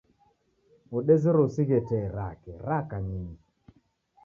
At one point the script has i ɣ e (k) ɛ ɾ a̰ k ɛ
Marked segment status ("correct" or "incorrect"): incorrect